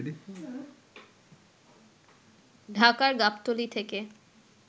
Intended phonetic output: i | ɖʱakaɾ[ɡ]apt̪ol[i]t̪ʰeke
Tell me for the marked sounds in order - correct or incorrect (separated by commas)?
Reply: correct, correct